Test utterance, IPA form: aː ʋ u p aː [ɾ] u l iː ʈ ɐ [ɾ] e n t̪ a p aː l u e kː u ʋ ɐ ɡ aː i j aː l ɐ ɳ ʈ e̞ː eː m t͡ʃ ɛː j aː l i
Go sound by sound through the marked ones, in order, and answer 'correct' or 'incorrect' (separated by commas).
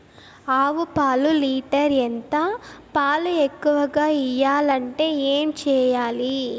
incorrect, correct